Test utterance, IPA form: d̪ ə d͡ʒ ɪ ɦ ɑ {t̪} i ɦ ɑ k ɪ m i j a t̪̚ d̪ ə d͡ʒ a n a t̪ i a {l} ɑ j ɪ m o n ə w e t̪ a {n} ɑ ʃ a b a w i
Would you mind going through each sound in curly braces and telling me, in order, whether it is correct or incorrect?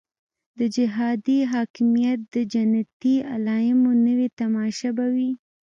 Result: incorrect, correct, incorrect

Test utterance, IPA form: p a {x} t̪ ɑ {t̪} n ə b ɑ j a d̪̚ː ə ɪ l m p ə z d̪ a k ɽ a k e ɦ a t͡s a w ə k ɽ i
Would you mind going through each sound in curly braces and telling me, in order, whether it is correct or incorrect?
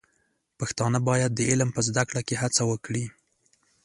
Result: correct, incorrect

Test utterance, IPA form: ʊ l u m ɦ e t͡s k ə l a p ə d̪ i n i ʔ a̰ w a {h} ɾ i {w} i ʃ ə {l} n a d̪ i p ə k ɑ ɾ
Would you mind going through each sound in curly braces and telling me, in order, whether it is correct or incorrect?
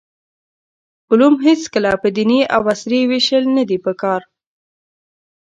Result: incorrect, correct, correct

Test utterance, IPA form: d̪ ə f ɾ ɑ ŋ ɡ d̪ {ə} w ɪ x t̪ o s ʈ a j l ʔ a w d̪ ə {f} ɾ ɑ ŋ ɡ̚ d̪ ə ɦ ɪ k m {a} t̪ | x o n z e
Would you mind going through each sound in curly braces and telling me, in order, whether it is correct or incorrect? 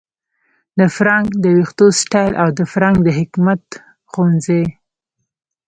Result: correct, correct, correct

